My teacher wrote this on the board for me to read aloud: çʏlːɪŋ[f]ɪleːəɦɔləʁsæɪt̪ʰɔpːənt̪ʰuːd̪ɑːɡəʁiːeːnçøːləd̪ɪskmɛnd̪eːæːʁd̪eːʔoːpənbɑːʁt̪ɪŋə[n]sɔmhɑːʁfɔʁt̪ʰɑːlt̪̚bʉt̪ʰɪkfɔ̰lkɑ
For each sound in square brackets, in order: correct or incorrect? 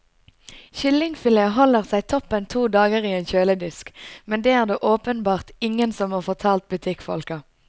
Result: correct, correct

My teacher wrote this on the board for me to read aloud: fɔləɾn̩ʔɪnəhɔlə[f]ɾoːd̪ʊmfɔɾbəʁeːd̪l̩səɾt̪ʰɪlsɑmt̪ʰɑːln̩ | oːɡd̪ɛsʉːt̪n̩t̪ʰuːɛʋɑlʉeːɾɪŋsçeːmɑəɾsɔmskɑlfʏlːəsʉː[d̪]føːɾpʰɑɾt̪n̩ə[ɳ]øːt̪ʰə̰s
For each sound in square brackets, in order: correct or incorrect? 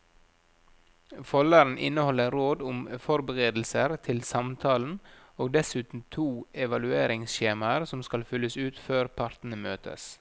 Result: incorrect: none, incorrect: t̪, incorrect: m

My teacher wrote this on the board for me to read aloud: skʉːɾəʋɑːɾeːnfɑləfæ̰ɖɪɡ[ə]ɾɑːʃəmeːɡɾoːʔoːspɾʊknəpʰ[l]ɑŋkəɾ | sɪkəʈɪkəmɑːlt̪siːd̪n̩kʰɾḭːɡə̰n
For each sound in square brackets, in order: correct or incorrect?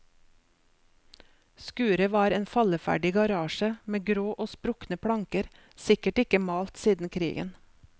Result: incorrect: ɑ, incorrect: ɽ

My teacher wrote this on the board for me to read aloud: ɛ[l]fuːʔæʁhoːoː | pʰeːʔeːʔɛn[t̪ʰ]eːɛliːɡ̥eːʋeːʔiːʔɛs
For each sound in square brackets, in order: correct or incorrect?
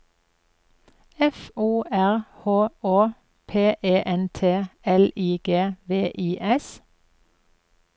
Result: incorrect: none, correct

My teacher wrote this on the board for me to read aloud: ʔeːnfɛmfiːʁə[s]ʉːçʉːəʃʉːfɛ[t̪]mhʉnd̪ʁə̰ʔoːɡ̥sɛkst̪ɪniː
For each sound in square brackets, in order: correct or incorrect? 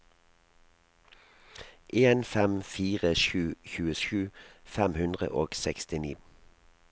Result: incorrect: ʃ, incorrect: none

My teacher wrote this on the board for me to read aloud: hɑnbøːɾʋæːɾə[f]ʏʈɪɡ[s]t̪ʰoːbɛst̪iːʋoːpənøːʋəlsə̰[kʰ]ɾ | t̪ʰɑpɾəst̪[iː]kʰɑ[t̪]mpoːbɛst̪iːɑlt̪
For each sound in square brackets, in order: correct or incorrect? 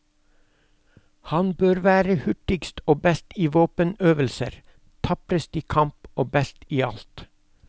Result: incorrect: h, correct, incorrect: none, correct, incorrect: none

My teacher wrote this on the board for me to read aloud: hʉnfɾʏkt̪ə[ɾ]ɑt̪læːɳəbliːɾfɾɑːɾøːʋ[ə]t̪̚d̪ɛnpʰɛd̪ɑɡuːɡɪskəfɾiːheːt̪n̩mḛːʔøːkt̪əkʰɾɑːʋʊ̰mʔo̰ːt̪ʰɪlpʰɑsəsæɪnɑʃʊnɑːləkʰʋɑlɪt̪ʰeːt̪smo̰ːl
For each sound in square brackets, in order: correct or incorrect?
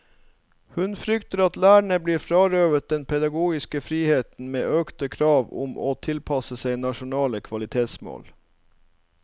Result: correct, correct

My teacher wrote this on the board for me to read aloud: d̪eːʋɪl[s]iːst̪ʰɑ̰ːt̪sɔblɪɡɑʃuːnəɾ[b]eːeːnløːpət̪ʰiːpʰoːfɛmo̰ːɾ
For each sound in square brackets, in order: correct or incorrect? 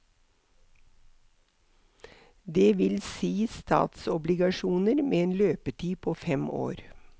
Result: correct, incorrect: m

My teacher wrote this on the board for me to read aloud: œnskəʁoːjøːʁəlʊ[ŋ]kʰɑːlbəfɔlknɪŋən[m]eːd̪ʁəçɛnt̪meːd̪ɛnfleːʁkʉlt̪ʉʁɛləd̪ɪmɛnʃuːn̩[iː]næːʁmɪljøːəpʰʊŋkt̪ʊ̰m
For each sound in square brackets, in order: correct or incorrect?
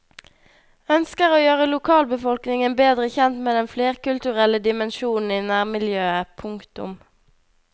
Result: incorrect: none, incorrect: b, correct

